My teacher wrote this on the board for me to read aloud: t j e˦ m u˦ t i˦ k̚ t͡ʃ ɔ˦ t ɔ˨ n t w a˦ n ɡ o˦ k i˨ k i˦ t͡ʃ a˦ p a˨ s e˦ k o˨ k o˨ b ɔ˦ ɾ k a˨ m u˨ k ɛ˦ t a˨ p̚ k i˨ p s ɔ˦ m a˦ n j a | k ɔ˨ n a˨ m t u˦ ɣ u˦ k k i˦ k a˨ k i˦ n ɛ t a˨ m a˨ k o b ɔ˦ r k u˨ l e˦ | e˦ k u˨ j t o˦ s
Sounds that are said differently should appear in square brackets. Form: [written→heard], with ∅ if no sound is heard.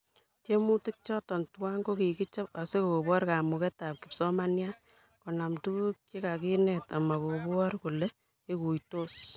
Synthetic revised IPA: t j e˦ m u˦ t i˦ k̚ t͡ʃ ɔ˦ t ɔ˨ n t w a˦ [n→ŋ] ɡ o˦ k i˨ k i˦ t͡ʃ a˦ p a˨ s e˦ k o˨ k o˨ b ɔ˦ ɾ k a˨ m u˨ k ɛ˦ t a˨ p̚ k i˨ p s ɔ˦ m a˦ n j a | k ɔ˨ n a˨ m t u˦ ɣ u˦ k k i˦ k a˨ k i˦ n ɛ t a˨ m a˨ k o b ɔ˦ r k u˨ l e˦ | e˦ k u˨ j t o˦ s